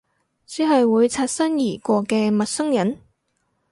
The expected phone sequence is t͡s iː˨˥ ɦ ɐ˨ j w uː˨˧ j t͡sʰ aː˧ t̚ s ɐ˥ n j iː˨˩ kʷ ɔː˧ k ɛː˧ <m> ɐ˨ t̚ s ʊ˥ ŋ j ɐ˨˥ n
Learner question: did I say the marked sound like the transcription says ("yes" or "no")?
yes